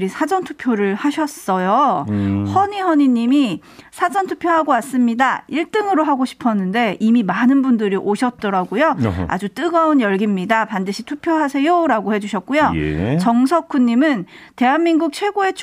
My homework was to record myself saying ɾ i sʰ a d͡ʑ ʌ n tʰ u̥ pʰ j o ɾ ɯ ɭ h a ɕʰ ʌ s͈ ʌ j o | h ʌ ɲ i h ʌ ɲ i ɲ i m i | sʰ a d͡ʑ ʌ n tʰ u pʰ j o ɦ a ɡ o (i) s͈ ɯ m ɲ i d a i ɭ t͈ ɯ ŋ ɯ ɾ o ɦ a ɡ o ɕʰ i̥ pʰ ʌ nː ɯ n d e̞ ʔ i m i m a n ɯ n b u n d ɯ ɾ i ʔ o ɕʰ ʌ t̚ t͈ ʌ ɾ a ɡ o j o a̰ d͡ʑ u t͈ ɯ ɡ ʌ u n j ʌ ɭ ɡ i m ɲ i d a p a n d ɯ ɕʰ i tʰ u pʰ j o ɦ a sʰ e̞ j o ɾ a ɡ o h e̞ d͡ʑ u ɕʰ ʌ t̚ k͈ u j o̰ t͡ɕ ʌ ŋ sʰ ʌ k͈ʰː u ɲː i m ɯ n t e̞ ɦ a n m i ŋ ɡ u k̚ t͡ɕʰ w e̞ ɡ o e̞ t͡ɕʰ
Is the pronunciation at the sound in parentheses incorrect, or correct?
incorrect